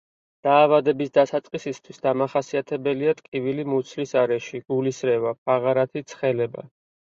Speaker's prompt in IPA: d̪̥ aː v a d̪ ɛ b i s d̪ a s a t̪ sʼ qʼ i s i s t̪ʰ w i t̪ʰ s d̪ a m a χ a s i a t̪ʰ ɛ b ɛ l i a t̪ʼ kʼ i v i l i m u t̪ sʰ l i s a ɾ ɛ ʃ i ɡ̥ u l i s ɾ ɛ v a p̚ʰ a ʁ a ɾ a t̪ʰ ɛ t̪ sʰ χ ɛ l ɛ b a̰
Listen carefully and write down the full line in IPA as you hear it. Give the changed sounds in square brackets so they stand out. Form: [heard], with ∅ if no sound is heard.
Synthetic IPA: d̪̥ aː v a d̪ ɛ b i s d̪ a s a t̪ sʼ qʼ i s i s t̪ʰ w i [∅] s d̪ a m a χ a s i a t̪ʰ ɛ b ɛ l i a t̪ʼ kʼ i v i l i m u t̪ sʰ l i s a ɾ ɛ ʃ i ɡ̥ u l i s ɾ ɛ v a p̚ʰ a ʁ a ɾ a t̪ʰ [i] t̪ sʰ χ ɛ l ɛ b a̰